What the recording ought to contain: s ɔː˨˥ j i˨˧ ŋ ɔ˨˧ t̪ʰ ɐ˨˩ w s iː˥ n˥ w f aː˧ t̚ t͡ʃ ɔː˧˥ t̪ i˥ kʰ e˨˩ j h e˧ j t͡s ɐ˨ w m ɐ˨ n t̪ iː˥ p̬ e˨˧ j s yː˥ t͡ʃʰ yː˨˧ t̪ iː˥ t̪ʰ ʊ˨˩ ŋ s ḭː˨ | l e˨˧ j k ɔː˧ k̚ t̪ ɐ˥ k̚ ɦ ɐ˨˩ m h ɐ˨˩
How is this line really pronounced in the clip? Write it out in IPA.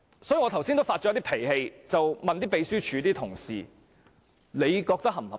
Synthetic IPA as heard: s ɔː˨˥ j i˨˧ ŋ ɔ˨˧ t̪ʰ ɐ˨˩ w s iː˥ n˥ w f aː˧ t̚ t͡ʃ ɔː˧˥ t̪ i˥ pʰ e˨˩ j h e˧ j t͡s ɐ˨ w m ɐ˨ n t̪ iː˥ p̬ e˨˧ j s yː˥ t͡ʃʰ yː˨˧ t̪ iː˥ t̪ʰ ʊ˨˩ ŋ s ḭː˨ | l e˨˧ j k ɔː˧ k̚ t̪ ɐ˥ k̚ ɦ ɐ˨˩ m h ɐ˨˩